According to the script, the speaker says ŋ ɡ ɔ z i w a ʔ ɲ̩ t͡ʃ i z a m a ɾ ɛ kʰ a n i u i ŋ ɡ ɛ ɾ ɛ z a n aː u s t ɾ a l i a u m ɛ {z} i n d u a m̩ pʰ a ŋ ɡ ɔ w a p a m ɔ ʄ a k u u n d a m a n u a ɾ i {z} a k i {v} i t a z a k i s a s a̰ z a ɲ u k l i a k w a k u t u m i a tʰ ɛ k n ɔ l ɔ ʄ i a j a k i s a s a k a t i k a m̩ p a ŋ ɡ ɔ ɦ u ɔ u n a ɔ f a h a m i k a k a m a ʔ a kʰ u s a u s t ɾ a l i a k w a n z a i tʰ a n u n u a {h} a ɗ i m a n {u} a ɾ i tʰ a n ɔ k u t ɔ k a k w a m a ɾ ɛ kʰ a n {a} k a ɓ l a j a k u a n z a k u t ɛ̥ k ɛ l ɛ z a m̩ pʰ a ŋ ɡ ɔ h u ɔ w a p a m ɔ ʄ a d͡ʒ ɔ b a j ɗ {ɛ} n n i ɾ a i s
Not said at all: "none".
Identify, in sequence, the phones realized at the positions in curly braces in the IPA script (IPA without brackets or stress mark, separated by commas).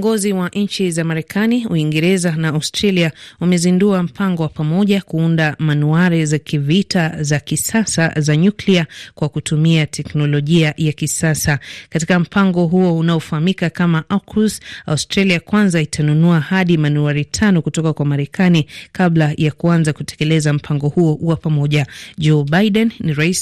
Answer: z, z, v, h, u, i, ɛ